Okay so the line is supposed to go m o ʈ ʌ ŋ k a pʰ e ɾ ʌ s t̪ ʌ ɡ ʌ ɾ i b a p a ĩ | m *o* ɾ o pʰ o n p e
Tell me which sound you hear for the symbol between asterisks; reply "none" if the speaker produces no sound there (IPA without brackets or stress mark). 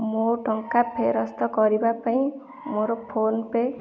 o